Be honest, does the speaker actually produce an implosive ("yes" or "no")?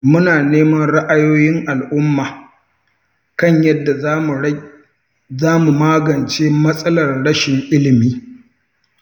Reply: no